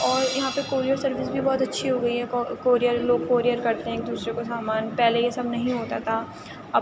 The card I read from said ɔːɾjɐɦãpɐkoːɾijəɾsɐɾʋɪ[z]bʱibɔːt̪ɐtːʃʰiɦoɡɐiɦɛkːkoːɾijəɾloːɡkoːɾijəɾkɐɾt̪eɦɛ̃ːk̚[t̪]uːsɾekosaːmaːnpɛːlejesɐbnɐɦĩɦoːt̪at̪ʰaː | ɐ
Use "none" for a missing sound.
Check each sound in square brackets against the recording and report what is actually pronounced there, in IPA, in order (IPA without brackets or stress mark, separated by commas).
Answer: s, d̪